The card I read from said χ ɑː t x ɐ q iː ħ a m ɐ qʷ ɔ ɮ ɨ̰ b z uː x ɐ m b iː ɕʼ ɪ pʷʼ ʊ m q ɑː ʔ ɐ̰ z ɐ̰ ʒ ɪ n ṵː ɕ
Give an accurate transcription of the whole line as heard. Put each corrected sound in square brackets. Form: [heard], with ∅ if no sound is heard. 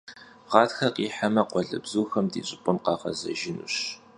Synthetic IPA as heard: [ʁ] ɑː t x ɐ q iː ħ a m ɐ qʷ ɔ ɮ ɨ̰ b z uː x ɐ m [d] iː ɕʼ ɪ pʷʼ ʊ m q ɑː [q] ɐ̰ z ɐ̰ ʒ ɪ n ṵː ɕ

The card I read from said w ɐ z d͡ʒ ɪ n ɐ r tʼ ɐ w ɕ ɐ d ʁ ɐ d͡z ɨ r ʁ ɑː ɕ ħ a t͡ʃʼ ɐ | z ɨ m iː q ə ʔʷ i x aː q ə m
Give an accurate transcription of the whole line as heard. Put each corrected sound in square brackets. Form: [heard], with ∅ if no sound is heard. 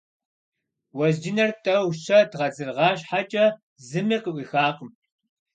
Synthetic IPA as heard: w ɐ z d͡ʒ ɪ n ɐ r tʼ ɐ w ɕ ɐ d ʁ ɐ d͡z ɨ r ʁ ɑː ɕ ħ a t͡ʃʼ ɐ | z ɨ m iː q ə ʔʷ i x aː q ə m

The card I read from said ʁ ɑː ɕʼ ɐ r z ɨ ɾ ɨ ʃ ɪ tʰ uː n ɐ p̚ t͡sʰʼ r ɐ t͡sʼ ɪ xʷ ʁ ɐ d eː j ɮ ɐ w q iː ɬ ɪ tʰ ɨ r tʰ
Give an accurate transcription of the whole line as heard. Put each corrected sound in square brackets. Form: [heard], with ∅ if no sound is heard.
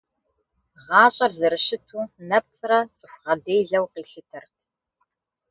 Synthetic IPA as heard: ʁ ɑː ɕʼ ɐ r z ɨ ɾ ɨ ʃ ɪ tʰ uː n ɐ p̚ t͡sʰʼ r ɐ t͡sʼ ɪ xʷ ʁ ɐ d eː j ɮ ɐ w q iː ɬ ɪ tʰ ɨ r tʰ

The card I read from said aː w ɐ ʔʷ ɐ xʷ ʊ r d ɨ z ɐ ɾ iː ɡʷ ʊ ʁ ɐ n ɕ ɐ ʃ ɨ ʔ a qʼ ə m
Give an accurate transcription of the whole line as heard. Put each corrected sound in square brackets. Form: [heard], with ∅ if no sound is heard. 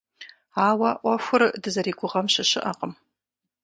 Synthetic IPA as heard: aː w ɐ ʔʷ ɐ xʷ ʊ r d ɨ z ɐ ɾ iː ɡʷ ʊ ʁ ɐ [m] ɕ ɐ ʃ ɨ ʔ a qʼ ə m

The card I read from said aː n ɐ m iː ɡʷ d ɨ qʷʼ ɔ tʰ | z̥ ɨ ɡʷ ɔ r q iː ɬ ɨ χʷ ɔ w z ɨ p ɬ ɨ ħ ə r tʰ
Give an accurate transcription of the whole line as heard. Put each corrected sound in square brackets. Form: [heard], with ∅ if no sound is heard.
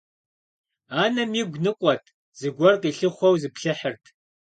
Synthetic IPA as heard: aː n ɐ m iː ɡʷ [n] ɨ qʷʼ ɔ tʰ | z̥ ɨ ɡʷ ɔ r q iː ɬ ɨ χʷ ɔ w z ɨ p ɬ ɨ ħ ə r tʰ

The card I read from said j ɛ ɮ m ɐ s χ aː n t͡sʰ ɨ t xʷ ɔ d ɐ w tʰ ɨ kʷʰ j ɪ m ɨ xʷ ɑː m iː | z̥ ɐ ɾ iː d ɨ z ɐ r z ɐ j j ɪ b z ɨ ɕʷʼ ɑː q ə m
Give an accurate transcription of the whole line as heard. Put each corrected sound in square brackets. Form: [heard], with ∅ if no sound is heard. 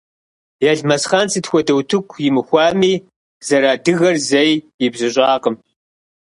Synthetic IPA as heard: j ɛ ɮ m ɐ s χ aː n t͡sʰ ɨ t xʷ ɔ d ɐ w tʰ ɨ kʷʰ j ɪ m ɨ xʷ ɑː m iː | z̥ ɐ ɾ [aː] d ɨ [ɣ] ɐ r z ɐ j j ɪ b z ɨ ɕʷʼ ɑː q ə m

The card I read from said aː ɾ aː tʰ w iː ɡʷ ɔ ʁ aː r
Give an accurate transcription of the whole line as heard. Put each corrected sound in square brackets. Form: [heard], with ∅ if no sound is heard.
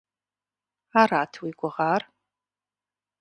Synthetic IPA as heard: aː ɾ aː tʰ w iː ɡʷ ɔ ʁ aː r

